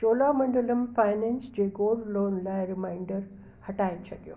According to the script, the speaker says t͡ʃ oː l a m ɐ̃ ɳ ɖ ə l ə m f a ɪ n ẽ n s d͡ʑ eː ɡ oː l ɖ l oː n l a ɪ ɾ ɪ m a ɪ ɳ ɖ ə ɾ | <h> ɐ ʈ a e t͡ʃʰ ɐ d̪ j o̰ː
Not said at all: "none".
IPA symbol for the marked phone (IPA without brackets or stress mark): h